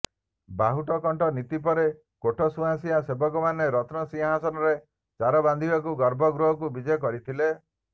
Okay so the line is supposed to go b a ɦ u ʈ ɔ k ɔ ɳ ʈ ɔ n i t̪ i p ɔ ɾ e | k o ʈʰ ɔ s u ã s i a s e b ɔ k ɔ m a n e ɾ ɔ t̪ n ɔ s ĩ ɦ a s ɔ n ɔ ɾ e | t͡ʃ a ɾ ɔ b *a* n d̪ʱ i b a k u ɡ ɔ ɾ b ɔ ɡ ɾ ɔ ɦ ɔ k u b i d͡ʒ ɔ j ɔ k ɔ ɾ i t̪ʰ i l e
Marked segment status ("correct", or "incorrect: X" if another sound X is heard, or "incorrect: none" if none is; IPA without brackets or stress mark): correct